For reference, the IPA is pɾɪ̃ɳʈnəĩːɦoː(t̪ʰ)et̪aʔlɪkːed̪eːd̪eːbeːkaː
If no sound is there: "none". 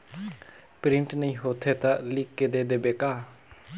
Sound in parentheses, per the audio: t̪ʰ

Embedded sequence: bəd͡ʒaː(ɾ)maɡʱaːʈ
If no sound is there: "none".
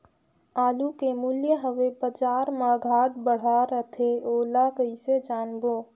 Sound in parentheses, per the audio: ɾ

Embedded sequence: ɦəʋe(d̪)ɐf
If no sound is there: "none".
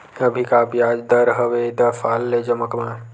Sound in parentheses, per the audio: d̪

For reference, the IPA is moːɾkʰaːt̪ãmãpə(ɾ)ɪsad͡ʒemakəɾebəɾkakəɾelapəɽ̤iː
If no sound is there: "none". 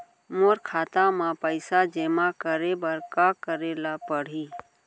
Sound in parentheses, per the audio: none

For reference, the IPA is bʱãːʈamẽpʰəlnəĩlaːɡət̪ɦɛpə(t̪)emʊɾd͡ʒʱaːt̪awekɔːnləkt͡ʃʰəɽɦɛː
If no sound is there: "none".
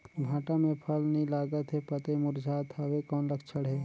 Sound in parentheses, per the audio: t̪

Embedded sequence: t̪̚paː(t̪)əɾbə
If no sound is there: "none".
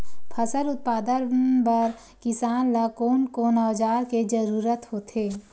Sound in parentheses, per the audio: d̪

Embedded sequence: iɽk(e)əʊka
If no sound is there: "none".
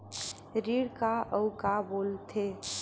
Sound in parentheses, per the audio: a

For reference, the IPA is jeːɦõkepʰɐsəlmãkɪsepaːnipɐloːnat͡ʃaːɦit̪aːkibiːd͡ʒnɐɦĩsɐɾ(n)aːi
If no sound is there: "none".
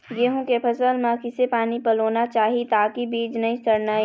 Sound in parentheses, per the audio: n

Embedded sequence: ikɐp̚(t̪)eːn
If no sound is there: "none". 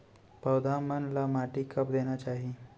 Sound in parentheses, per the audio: d̪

